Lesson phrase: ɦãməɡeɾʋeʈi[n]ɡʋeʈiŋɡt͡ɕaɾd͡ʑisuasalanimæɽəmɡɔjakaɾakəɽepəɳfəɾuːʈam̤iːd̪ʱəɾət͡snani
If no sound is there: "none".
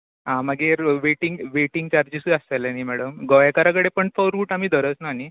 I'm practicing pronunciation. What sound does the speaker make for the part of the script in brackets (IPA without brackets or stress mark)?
ŋ